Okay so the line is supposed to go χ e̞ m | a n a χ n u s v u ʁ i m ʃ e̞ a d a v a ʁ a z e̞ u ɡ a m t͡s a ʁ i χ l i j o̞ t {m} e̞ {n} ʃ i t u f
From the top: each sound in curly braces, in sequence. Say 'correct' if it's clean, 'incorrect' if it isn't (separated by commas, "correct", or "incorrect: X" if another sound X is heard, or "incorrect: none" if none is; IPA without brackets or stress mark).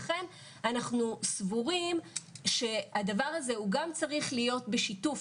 incorrect: b, incorrect: none